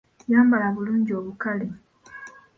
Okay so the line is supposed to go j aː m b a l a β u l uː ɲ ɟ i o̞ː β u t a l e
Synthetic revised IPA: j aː m b a l a β u l uː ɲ ɟ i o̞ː β u k a l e